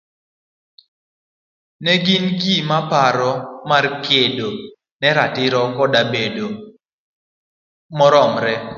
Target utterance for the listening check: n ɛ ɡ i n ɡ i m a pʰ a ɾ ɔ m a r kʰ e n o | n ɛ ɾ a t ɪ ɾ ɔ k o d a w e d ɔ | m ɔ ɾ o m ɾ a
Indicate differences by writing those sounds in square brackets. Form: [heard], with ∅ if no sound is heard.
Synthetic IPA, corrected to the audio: n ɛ ɡ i n ɡ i m a [p] a ɾ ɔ m a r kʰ e [d] o | n ɛ ɾ a t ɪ ɾ ɔ k [ɔ] d a [b] e d [o] | m ɔ ɾ [ɔ] m ɾ [ɛ]